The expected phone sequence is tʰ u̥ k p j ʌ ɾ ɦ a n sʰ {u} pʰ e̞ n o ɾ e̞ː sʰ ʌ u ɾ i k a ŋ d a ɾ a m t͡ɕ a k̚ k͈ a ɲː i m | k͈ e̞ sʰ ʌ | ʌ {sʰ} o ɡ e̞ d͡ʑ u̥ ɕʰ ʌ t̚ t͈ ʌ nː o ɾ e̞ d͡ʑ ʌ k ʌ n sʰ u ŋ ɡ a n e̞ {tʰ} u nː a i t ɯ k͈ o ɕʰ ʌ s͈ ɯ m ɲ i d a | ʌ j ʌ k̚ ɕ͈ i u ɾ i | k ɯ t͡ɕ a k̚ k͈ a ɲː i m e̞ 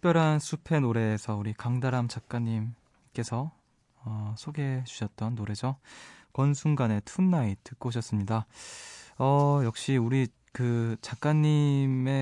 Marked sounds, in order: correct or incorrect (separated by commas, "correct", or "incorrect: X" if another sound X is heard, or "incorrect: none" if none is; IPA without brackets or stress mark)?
correct, correct, correct